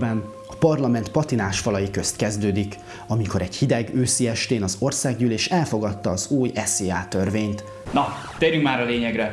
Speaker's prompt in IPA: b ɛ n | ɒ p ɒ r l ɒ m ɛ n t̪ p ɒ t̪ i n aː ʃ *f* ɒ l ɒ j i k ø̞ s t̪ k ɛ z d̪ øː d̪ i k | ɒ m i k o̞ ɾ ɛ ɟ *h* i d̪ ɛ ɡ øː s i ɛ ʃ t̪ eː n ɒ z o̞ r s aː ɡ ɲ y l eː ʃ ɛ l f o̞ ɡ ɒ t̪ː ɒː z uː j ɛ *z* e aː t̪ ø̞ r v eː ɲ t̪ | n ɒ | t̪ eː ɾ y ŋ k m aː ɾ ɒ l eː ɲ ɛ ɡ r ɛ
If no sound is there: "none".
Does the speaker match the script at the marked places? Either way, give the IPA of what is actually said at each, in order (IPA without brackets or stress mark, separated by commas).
f, h, s